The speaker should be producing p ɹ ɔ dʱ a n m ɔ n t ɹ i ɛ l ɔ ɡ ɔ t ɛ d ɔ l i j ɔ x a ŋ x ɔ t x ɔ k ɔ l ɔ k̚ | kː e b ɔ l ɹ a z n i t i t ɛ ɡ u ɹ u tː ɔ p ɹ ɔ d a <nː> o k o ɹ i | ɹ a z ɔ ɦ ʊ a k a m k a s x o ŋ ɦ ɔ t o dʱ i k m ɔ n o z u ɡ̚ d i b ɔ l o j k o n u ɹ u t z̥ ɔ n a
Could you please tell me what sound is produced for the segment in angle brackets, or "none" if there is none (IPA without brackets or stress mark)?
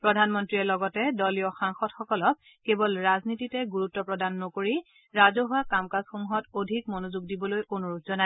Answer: nː